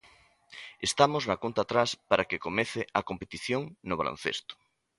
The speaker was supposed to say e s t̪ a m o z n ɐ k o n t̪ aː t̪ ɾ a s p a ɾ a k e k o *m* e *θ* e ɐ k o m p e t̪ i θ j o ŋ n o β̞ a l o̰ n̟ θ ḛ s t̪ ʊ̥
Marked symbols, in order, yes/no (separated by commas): yes, yes